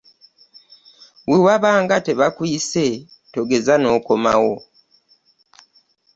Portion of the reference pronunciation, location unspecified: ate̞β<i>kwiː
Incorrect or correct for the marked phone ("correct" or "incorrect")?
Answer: incorrect